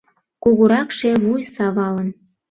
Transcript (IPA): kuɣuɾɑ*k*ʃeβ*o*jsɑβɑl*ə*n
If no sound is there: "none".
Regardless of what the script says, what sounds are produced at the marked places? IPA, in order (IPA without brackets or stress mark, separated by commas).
k, u, ə